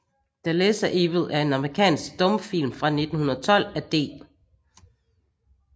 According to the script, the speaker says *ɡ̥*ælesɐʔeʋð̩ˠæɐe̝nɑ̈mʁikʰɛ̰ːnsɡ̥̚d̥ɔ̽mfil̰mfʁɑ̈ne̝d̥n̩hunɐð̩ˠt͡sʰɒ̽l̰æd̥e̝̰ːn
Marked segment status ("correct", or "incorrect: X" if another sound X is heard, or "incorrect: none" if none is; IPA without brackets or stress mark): incorrect: d̥